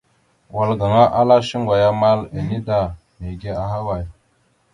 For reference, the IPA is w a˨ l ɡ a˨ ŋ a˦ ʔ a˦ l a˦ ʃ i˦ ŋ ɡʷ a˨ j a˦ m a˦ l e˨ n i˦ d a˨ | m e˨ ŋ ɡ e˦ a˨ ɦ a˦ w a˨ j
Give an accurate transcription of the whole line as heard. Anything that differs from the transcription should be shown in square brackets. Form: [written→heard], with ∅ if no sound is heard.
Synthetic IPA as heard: w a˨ l ɡ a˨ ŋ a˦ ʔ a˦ l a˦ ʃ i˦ ŋ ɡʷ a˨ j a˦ m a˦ l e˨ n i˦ d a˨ | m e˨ [ŋ→∅] ɡ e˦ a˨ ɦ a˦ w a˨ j

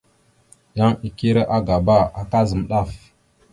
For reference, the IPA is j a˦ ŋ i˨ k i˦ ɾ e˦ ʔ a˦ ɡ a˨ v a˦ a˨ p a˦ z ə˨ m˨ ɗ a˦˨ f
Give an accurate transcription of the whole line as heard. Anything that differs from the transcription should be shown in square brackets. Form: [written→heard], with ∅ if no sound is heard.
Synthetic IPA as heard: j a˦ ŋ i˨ k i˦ ɾ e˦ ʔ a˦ ɡ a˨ [v→b] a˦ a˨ [p→k] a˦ z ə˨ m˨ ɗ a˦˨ f

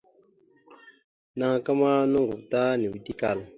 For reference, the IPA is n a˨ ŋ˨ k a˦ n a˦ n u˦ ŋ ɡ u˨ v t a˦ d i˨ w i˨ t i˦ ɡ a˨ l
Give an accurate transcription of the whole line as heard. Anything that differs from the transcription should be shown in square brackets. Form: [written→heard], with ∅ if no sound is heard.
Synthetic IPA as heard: n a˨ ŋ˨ k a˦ [n→m] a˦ n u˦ ŋ ɡ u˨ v t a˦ [d→n] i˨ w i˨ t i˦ [ɡ→k] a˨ l

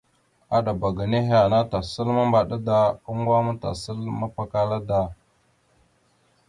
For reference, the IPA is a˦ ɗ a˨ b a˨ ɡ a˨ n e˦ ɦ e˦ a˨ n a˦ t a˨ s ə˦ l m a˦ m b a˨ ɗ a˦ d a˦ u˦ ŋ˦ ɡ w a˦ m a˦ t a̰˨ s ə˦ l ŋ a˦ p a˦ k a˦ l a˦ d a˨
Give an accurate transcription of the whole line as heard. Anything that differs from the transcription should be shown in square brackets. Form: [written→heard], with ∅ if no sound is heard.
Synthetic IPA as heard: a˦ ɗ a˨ b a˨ ɡ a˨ n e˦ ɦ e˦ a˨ n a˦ t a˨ s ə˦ l m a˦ m b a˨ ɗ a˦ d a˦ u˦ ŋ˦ ɡ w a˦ m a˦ t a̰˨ s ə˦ l [ŋ→m] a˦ p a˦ k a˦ l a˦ d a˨

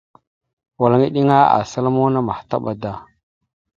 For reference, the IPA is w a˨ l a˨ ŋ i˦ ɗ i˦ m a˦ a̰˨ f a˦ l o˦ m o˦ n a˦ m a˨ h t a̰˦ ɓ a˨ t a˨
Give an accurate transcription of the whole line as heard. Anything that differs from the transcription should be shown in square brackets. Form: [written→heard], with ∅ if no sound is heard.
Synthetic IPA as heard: w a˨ l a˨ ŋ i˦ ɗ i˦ [m→ŋ] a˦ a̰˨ [f→s] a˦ l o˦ m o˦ n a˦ m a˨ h t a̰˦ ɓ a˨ [t→d] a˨

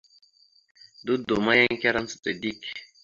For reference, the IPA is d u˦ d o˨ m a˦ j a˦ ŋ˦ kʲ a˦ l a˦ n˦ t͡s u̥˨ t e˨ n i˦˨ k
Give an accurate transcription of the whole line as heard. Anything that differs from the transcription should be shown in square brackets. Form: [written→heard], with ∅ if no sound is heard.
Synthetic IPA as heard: d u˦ d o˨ m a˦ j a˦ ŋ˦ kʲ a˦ [l→ɾ] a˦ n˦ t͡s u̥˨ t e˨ [n→d] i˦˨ k

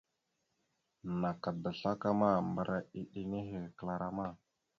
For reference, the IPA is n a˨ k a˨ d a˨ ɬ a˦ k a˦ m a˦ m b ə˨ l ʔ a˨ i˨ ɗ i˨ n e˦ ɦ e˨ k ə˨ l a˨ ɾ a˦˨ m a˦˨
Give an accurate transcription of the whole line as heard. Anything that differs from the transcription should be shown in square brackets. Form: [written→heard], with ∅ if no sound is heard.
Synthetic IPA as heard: n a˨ k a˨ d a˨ ɬ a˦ k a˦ m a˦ m b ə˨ [l→ɾ] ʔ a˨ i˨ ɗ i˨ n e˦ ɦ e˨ k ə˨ l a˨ ɾ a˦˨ m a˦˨

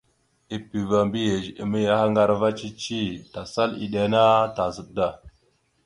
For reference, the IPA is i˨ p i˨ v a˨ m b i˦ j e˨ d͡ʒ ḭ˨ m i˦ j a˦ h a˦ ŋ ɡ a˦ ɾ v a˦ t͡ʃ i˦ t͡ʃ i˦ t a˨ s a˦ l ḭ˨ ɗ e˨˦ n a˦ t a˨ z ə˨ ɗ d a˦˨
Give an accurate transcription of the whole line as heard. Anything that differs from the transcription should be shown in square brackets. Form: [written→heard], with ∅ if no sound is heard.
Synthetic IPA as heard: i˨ p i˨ v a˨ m b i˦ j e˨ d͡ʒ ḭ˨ m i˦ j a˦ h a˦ ŋ ɡ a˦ ɾ v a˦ t͡ʃ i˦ t͡ʃ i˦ t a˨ s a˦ l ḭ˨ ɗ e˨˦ n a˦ t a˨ z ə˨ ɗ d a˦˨

